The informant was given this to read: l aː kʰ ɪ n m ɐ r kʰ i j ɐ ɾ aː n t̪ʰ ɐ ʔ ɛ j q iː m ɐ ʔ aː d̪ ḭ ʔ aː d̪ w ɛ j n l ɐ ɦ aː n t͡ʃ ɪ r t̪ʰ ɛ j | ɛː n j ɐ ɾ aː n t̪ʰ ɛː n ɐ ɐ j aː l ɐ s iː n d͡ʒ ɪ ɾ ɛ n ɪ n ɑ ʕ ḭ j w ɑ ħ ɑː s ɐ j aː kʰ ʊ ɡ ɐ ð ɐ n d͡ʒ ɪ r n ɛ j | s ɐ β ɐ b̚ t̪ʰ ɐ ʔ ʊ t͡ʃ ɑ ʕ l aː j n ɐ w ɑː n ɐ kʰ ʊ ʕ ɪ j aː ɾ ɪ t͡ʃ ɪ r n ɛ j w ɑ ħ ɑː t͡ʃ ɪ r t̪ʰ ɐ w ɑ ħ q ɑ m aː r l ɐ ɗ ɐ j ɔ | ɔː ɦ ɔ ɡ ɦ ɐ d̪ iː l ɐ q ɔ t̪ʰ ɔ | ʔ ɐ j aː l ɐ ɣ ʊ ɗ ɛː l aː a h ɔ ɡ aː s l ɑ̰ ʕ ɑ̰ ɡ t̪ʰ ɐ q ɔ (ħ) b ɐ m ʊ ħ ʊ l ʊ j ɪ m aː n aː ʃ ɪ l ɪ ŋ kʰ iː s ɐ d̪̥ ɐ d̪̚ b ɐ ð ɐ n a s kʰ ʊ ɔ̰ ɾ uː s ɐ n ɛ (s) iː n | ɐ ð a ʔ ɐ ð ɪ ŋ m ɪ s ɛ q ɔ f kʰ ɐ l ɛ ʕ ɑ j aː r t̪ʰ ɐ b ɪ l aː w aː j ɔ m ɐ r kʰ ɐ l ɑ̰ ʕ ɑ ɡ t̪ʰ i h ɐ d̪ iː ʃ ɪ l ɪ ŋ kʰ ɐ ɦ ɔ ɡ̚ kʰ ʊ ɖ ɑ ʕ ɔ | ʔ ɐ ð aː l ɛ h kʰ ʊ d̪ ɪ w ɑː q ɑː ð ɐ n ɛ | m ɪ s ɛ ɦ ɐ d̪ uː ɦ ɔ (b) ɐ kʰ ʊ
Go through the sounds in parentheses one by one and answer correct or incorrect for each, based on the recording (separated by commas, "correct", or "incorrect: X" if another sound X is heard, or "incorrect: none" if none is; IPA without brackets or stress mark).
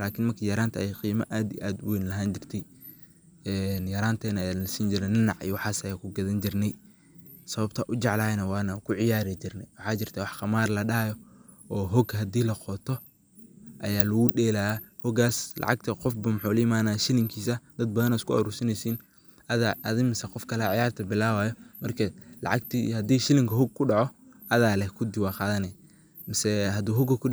incorrect: f, correct, incorrect: ɡ